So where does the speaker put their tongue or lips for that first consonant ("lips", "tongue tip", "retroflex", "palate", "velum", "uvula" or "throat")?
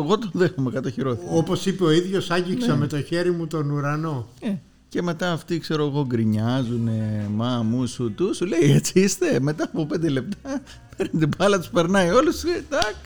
velum